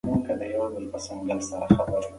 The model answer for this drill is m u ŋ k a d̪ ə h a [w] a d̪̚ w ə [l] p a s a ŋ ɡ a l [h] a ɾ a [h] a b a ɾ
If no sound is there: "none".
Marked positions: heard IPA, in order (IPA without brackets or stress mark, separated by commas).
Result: w, l, s, x